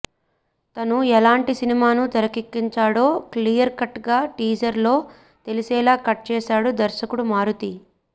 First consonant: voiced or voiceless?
voiceless